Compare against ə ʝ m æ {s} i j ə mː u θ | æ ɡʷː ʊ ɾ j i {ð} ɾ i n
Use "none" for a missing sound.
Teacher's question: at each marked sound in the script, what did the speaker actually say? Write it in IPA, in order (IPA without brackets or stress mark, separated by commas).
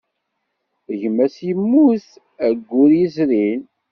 s, z